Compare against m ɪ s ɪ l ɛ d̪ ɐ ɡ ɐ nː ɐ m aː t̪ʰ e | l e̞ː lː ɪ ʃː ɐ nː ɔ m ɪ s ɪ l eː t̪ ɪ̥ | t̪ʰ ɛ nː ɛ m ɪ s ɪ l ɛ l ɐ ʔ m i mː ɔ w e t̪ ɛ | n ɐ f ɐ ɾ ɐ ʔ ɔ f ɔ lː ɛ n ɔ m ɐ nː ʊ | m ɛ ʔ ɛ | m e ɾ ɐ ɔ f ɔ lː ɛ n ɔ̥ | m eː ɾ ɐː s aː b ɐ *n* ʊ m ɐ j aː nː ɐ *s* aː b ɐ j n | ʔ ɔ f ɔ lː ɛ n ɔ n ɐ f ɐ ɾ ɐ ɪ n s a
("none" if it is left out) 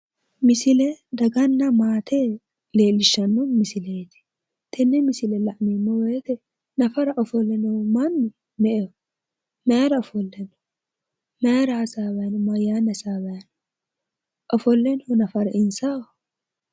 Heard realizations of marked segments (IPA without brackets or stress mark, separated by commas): n, s